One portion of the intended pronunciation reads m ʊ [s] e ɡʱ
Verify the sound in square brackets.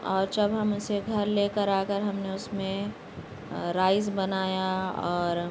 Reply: correct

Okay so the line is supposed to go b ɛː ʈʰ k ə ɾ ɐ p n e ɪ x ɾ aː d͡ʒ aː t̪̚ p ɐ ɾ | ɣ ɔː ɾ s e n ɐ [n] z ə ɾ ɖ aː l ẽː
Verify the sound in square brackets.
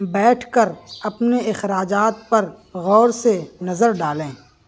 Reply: incorrect: none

